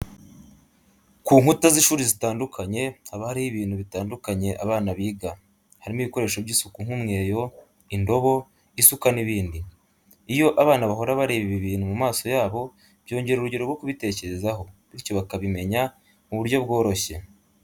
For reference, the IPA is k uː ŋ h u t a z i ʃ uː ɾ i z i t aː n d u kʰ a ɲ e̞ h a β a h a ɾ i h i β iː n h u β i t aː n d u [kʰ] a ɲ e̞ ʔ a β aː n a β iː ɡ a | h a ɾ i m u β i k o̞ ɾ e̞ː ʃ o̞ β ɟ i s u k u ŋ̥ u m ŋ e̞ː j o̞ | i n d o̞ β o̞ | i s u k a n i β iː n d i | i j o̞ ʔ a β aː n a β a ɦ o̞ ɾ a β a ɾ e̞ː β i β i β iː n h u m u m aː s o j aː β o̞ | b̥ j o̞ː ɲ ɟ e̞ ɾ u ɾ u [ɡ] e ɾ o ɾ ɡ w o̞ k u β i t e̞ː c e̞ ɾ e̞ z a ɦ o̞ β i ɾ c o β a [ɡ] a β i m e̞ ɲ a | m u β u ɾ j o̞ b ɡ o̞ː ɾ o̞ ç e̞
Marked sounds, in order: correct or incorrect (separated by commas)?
incorrect, incorrect, incorrect